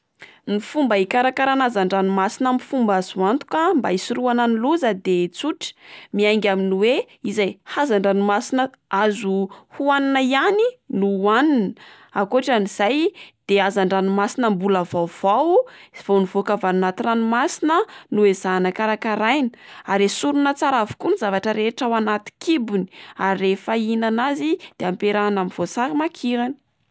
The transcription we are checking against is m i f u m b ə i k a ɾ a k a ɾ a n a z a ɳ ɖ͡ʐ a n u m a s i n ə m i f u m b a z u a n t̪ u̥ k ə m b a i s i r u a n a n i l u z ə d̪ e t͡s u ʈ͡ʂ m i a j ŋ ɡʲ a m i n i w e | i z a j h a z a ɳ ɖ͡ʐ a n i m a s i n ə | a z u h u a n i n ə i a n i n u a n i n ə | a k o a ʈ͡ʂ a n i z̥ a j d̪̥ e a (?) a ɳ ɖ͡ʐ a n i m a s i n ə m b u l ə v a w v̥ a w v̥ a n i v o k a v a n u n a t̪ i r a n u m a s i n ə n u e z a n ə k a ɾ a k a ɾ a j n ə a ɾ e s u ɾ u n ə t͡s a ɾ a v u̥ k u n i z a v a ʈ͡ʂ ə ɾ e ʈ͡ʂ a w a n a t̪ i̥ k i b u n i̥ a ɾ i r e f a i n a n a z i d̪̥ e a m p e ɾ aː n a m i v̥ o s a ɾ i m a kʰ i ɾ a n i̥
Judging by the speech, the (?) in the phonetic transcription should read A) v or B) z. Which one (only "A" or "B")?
B